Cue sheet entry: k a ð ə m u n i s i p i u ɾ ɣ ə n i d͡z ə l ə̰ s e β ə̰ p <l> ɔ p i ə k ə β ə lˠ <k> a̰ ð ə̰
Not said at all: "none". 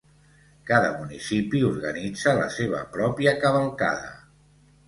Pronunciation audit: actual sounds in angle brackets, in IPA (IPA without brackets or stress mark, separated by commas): ɾ, k